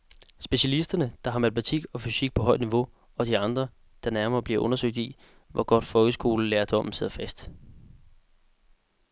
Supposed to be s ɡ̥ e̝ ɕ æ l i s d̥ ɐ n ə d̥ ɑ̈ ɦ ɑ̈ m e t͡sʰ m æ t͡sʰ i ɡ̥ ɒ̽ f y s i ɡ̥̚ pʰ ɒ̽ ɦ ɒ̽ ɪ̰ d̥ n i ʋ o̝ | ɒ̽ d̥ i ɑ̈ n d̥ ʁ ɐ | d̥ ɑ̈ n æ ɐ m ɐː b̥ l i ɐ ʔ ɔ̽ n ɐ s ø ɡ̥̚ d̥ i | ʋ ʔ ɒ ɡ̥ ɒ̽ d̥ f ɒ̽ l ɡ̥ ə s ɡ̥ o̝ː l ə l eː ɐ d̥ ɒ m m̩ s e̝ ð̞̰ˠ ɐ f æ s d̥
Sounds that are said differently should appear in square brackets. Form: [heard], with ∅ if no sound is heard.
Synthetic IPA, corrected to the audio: s [b̥] e̝ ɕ æ l i s d̥ ɐ n ə d̥ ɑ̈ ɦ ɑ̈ m [æ] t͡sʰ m æ t͡sʰ i ɡ̥ ɒ̽ f y s i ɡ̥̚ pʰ ɒ̽ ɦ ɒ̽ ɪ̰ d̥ n i ʋ o̝ | ɒ̽ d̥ i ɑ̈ n d̥ ʁ ɐ | d̥ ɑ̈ n æ ɐ m ɐː b̥ l i ɐ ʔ ɔ̽ n ɐ s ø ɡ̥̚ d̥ i | ʋ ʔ ɒ ɡ̥ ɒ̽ d̥ f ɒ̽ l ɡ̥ ə s ɡ̥ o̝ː l ə l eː ɐ d̥ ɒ m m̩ s e̝ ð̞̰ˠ ɐ f æ s d̥